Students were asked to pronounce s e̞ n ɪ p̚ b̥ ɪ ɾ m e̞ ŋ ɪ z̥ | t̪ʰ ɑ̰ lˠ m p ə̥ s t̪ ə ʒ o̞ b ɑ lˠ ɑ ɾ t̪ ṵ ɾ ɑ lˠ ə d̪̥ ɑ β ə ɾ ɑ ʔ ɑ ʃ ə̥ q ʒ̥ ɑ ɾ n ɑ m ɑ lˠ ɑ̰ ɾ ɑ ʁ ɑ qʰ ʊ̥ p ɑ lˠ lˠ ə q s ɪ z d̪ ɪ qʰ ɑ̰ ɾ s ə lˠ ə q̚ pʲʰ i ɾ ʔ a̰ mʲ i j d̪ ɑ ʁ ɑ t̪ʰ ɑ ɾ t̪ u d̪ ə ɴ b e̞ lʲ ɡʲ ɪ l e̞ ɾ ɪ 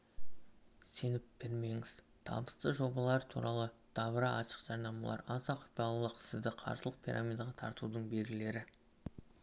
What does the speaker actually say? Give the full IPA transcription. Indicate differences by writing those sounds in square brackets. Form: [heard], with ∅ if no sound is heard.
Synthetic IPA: s e̞ n ɪ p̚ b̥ ɪ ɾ m e̞ ŋ ɪ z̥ | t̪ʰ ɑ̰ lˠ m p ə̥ s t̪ ə ʒ o̞ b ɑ lˠ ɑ ɾ [t̪ʰ] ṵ ɾ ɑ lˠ ə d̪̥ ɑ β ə ɾ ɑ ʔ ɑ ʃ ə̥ q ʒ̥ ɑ ɾ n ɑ m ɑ lˠ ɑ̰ ɾ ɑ [z] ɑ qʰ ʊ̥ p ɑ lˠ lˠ ə q s ɪ z d̪ ɪ qʰ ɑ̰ ɾ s ə lˠ ə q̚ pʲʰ i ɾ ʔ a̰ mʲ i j d̪ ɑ ʁ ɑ t̪ʰ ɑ ɾ t̪ u d̪ ə ɴ b e̞ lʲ ɡʲ ɪ l e̞ ɾ ɪ

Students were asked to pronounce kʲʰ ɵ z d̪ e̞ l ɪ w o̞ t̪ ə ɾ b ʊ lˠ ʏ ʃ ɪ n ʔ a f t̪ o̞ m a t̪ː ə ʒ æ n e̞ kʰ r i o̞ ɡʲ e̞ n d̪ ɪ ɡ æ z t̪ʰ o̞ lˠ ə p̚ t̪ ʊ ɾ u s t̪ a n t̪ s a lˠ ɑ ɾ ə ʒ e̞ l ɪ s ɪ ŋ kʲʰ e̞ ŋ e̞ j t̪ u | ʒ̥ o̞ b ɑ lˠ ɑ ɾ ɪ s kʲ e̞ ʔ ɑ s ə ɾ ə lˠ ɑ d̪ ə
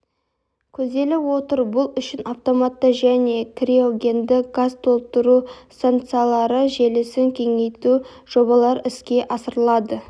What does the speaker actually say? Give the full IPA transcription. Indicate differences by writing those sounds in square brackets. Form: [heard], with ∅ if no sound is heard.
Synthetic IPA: kʲʰ ɵ z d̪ e̞ l ɪ w o̞ t̪ ə ɾ b ʊ lˠ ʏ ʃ ɪ n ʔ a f t̪ o̞ m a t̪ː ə ʒ æ n e̞ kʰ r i o̞ ɡʲ e̞ n d̪ ɪ ɡ [a] z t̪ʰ o̞ lˠ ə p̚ t̪ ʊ ɾ u s t̪ a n t̪ s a lˠ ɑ ɾ ə ʒ e̞ l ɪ s ɪ ŋ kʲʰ e̞ ŋ e̞ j t̪ u | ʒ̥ o̞ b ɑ lˠ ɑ ɾ ɪ s kʲ e̞ ʔ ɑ s ə ɾ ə lˠ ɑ d̪ ə

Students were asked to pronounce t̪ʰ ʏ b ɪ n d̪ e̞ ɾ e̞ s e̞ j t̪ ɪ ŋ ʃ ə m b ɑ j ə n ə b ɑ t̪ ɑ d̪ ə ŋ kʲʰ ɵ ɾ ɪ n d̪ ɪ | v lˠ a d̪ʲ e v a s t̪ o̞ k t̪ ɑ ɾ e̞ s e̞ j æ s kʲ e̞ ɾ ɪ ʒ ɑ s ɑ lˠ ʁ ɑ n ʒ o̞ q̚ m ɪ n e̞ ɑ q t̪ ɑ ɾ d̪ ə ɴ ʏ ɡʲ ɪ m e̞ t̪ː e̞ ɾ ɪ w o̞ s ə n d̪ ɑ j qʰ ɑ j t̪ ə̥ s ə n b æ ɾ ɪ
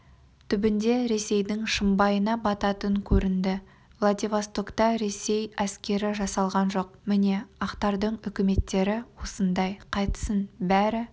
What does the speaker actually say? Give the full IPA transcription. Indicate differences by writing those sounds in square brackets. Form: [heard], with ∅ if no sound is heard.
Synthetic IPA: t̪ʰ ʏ b ɪ n d̪ e̞ ɾ e̞ s e̞ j [d̪] ɪ ŋ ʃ ə m b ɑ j ə n [ɑ] b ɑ t̪ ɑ [t̪] ə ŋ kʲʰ ɵ ɾ ɪ n d̪ ɪ | v lˠ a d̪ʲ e v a s t̪ o̞ k t̪ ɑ ɾ e̞ s e̞ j æ s kʲ e̞ ɾ ɪ ʒ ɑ s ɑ lˠ ʁ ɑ n ʒ o̞ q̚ m ɪ n e̞ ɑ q t̪ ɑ ɾ d̪ ə ɴ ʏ [kʲ] ɪ m e̞ t̪ː e̞ ɾ ɪ w o̞ s ə n d̪ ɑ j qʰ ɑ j t̪ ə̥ s ə n b æ ɾ ɪ

